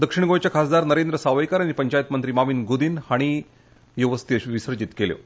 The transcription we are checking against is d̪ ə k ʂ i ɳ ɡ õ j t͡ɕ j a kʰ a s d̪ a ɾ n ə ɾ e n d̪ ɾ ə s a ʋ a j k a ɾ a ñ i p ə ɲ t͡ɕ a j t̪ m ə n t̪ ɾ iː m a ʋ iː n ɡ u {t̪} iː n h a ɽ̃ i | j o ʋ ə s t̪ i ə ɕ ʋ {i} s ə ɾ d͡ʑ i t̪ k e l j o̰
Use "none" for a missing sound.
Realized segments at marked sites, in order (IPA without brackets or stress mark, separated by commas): d̪, i